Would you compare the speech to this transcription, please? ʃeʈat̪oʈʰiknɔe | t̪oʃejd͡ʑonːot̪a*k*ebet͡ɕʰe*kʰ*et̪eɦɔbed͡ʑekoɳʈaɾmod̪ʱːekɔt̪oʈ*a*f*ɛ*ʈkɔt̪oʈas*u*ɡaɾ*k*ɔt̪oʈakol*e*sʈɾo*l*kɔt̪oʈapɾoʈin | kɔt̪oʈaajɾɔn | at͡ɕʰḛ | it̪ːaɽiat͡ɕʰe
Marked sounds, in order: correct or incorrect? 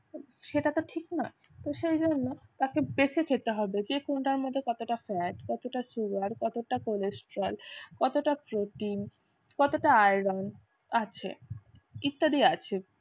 correct, correct, correct, correct, correct, correct, correct, correct

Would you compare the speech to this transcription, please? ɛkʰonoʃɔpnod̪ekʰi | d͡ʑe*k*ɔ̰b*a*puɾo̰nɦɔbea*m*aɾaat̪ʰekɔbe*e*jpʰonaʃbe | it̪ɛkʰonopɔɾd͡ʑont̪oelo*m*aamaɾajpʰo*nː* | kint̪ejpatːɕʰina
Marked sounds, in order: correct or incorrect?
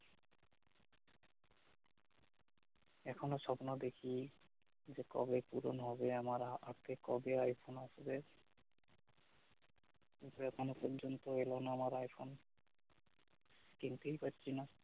correct, incorrect: e, correct, incorrect: a, incorrect: n, incorrect: n

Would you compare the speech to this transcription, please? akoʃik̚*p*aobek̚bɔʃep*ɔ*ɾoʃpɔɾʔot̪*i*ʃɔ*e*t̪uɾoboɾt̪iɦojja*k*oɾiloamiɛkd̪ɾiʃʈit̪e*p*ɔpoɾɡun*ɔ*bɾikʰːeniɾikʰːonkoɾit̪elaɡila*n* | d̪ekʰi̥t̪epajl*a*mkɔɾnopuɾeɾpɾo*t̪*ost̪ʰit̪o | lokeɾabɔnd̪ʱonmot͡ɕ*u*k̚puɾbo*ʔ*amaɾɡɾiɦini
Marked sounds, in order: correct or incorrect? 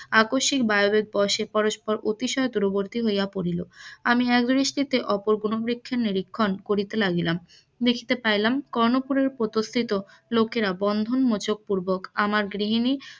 incorrect: b, correct, correct, correct, incorrect: p, incorrect: ʔ, incorrect: o, incorrect: m, correct, correct, incorrect: o, incorrect: k

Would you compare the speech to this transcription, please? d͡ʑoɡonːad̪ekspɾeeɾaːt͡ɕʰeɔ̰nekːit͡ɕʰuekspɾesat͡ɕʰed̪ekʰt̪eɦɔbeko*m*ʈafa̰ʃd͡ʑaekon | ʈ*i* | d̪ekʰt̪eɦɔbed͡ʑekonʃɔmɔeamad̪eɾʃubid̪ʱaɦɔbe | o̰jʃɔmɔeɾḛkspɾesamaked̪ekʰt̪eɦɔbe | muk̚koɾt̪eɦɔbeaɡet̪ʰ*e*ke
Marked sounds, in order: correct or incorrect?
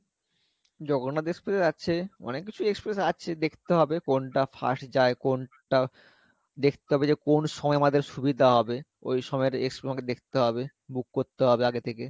incorrect: n, incorrect: a, correct

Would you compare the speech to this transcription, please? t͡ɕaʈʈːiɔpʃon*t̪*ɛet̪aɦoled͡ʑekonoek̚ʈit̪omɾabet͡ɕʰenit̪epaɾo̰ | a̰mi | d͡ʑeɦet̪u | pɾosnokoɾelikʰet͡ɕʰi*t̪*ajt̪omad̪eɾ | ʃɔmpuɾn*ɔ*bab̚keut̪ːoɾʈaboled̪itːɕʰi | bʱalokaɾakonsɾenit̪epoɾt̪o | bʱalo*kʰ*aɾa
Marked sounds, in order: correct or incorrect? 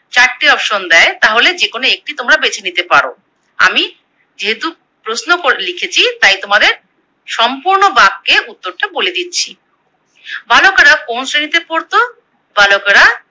incorrect: d̪, correct, incorrect: o, incorrect: k

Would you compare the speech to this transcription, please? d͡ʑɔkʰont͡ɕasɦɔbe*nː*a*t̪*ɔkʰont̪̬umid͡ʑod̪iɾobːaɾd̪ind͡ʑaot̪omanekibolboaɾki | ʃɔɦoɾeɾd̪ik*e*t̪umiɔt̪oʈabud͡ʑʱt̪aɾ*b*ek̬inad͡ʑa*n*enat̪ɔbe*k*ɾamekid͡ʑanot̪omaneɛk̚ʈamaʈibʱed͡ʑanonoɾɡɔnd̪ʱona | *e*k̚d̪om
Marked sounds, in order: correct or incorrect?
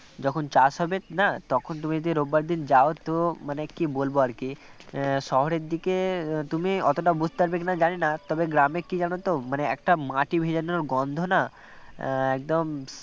incorrect: n, correct, correct, correct, correct, incorrect: ɡ, incorrect: ɛ

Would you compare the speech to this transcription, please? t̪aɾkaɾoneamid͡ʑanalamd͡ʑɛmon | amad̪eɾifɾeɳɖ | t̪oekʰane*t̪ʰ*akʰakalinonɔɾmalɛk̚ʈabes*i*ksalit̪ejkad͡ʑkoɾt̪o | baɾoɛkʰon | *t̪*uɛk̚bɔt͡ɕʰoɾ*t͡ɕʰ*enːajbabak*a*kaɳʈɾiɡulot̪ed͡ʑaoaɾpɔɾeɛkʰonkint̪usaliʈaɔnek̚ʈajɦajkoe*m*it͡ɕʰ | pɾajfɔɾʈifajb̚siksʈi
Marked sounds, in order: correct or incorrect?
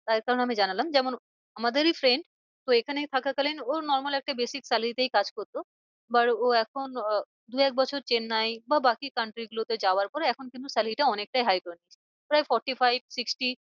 correct, correct, incorrect: d̪, incorrect: t͡ɕ, incorrect: i, incorrect: n

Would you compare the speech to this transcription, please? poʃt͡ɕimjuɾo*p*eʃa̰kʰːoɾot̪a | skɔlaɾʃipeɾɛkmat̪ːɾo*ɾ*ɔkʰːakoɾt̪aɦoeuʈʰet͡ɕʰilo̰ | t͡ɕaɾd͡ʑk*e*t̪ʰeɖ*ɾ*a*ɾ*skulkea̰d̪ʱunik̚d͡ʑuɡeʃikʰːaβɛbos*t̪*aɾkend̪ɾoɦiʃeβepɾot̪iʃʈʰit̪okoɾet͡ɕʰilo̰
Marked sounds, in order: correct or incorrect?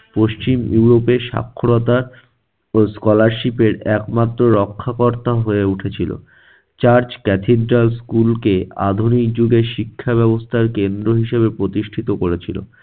correct, correct, incorrect: ɛ, correct, incorrect: l, incorrect: t̪ʰ

